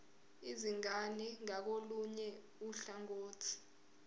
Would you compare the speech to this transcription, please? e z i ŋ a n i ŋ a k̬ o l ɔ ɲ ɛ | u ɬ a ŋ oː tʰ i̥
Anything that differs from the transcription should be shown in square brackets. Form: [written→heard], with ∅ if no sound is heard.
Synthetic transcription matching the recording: [e→i] z i ŋ a n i ŋ a k̬ o l [ɔ→u] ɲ ɛ | u ɬ a ŋ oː tʰ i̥